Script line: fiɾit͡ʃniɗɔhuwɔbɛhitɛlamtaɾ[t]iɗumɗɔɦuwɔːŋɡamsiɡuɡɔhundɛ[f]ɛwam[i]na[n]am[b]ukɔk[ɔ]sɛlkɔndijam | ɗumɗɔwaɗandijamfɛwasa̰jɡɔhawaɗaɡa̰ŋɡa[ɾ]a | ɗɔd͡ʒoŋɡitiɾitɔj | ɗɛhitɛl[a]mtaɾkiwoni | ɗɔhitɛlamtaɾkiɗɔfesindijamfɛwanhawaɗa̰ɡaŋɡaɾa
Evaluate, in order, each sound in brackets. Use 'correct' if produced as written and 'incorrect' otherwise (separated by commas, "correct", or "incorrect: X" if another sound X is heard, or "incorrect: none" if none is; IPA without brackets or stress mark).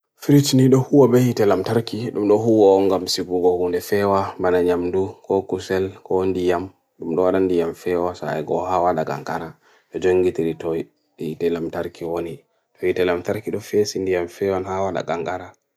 incorrect: k, correct, incorrect: a, incorrect: ɲ, incorrect: d, incorrect: u, correct, correct